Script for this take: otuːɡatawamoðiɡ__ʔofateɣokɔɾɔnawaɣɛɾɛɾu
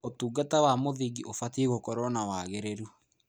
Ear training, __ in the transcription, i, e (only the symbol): i